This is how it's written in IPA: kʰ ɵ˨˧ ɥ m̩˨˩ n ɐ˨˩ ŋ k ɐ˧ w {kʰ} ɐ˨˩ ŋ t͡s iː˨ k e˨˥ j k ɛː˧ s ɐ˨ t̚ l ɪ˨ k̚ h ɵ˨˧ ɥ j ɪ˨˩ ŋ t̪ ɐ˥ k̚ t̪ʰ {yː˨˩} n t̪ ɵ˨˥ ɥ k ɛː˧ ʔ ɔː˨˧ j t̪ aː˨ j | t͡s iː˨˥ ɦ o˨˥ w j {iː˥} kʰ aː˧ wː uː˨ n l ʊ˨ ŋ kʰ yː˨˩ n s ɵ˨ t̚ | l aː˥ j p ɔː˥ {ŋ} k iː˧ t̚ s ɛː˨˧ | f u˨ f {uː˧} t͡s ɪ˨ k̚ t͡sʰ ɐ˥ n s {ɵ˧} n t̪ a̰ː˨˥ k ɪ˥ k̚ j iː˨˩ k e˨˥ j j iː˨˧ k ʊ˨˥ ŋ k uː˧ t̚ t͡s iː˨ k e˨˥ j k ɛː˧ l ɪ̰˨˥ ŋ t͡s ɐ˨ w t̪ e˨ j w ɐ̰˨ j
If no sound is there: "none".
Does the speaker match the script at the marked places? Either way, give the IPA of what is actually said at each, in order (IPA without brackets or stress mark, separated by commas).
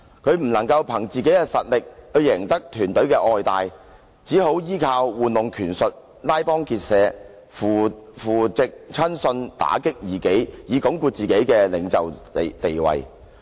pʰ, yː˨˩, iː˥, ŋ, uː˨˩, ɵ˧